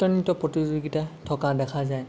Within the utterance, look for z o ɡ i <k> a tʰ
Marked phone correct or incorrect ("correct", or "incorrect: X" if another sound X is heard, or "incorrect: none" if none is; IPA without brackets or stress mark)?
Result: incorrect: t